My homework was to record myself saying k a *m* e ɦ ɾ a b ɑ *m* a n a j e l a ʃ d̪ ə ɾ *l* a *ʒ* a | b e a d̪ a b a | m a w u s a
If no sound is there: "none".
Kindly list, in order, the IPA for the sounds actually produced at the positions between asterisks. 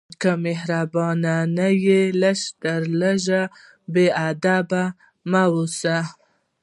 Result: m, n, l, ʒ

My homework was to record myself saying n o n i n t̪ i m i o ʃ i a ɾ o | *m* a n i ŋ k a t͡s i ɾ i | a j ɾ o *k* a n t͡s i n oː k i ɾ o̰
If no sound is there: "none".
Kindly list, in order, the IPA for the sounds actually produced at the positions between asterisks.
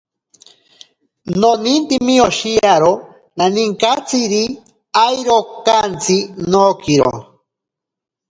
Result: n, k

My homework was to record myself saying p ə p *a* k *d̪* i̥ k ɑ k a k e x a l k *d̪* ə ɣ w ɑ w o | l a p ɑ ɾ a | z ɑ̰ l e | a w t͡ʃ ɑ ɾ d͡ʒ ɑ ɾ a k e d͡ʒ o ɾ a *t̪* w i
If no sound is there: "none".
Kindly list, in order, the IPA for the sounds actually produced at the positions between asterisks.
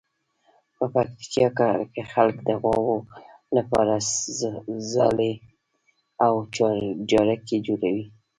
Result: a, t̪, d̪, none

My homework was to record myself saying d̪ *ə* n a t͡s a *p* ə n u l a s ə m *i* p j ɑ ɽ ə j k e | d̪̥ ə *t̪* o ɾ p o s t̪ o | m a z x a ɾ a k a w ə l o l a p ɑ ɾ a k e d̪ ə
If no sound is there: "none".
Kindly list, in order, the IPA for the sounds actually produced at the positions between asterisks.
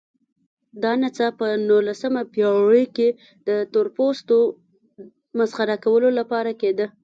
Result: ɑ, p, a, t̪

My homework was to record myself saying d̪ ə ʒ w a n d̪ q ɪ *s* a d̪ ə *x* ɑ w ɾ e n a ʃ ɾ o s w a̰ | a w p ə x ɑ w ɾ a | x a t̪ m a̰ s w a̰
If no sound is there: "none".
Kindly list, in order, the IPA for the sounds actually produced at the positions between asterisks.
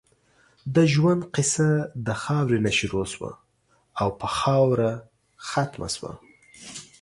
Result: s, x

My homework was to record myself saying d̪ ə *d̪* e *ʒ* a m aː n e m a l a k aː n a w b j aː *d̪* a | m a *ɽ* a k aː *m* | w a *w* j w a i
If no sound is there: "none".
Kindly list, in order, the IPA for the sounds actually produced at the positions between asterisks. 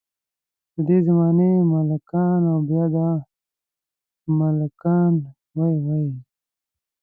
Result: d̪, z, d̪, l, n, none

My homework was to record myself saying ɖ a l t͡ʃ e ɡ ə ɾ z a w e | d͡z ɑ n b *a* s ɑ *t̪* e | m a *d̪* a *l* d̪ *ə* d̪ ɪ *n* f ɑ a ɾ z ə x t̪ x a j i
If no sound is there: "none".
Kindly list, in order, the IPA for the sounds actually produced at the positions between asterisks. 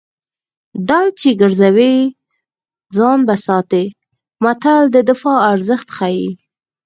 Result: a, t̪, t̪, l, ə, none

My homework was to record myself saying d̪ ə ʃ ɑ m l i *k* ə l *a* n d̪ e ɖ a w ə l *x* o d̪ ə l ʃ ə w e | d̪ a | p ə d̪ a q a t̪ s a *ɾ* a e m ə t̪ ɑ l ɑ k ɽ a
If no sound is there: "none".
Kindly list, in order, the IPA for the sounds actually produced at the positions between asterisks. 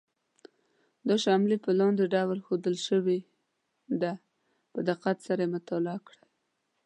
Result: p, ɑ, x, ɾ

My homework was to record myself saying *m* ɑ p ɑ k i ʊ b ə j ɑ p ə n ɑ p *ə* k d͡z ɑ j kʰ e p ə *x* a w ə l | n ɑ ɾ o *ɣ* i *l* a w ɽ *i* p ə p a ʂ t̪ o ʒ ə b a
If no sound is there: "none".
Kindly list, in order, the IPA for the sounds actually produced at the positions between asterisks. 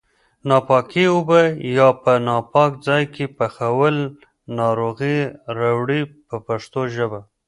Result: n, ɑ, x, ɣ, ɾ, i

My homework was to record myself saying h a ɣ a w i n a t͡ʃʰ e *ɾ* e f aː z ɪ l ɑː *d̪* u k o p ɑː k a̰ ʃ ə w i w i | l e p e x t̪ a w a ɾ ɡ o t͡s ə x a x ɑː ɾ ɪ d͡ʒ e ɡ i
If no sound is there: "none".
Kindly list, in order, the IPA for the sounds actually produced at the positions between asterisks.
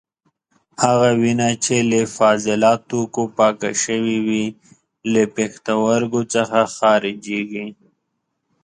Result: l, t̪

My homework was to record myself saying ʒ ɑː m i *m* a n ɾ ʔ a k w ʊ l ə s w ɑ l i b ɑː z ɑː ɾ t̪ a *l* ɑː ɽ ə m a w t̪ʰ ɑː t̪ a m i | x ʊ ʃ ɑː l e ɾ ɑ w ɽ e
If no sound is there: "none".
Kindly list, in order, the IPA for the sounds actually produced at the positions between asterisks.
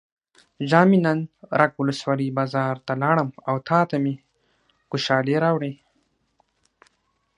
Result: n, l

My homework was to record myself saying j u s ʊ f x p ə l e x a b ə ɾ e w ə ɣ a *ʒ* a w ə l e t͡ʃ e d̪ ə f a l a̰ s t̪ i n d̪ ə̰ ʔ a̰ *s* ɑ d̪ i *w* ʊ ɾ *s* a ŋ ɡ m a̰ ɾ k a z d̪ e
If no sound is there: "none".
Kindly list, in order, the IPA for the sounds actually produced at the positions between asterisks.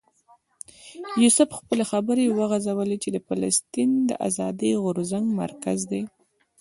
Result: z, z, ɣ, z

